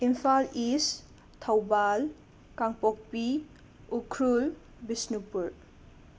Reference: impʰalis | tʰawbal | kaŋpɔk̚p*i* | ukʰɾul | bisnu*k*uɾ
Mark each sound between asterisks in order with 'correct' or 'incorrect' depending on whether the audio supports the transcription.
correct, incorrect: p

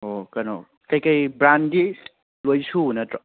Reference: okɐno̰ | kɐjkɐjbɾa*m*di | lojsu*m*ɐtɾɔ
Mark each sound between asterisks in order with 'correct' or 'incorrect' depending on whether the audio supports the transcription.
incorrect: n, incorrect: n

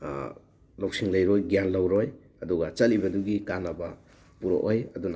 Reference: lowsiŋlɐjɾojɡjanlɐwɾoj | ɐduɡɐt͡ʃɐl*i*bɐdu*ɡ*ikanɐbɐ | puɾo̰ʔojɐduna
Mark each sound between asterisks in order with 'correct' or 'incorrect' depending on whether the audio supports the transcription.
correct, correct

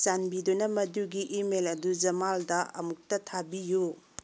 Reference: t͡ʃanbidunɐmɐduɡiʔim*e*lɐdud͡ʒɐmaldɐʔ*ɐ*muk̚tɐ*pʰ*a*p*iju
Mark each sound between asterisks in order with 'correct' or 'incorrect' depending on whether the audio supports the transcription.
correct, correct, incorrect: tʰ, incorrect: b

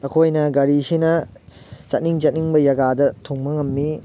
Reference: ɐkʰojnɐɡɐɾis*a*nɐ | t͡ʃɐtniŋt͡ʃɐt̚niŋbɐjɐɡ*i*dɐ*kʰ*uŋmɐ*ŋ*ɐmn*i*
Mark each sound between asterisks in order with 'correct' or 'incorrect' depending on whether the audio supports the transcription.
incorrect: i, incorrect: a, incorrect: tʰ, correct, correct

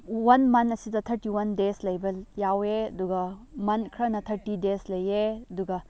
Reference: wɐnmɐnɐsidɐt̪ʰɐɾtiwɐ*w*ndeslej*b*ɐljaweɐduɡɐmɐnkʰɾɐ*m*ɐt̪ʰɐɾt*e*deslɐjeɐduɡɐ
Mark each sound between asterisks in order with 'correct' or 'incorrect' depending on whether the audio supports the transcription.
incorrect: none, correct, incorrect: n, incorrect: i

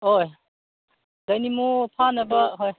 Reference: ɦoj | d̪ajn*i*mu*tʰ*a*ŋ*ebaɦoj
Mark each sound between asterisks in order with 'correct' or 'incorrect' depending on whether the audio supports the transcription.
correct, incorrect: pʰ, incorrect: n

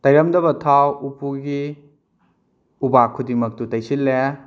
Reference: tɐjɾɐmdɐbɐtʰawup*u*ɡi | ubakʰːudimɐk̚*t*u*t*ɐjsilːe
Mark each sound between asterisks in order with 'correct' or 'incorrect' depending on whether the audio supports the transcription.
correct, correct, correct

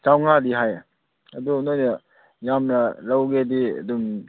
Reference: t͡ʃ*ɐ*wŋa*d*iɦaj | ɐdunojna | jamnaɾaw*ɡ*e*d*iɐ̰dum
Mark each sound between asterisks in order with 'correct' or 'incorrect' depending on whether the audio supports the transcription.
incorrect: a, correct, correct, correct

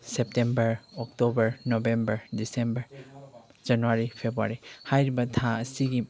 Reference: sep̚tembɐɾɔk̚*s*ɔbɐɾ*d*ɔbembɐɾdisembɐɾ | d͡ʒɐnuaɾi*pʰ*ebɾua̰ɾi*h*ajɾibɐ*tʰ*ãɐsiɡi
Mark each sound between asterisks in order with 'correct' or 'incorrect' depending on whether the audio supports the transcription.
incorrect: t, incorrect: n, correct, correct, correct

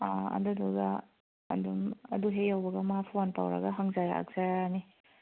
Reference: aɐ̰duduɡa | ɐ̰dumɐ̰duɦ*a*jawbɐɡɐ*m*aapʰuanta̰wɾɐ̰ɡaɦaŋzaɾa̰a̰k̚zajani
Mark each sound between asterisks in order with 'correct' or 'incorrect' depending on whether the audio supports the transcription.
incorrect: e, correct

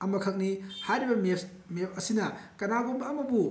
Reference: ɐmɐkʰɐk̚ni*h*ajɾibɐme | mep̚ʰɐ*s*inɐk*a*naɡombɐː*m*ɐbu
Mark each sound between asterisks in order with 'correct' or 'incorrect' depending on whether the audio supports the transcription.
correct, correct, incorrect: ɐ, correct

